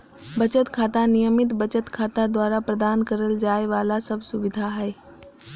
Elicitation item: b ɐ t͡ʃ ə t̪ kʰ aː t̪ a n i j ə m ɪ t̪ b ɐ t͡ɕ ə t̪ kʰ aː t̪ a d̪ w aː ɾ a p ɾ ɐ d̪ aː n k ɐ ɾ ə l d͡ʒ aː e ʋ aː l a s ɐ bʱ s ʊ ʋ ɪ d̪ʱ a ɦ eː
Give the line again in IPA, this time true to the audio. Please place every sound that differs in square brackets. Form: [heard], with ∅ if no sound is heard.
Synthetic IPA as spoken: b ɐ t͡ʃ ə t̪ kʰ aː t̪ a n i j ə m ɪ t̪ b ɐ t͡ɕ ə t̪ kʰ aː t̪ a d̪ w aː ɾ a p ɾ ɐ d̪ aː n k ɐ ɾ ə l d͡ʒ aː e ʋ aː l a s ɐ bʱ s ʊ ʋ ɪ d̪ʱ a ɦ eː